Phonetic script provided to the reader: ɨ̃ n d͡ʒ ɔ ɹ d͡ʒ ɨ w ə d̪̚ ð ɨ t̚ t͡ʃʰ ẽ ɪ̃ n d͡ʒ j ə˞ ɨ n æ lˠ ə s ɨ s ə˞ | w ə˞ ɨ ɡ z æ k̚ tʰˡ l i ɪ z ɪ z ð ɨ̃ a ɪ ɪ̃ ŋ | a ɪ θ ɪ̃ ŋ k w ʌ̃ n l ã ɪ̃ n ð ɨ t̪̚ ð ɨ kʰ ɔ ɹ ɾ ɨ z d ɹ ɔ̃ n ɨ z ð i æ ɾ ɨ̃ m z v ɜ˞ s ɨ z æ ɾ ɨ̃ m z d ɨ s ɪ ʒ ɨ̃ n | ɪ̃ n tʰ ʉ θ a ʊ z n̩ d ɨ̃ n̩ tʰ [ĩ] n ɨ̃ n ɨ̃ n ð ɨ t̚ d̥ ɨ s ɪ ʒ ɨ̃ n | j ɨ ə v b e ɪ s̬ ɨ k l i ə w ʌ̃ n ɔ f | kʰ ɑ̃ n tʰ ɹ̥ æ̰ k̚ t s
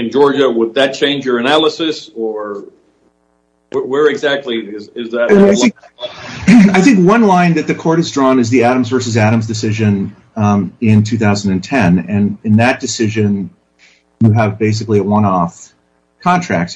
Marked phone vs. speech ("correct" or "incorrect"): incorrect